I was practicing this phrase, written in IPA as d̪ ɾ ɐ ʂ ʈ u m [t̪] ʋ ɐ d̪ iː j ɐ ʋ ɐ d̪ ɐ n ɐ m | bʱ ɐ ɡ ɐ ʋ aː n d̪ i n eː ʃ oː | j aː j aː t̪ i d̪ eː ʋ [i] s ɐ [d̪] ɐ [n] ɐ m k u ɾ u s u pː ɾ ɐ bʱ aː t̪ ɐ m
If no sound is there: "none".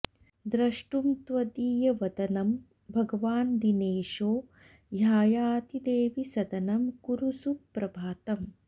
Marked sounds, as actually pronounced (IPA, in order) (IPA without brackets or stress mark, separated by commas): t̪, i, d̪, n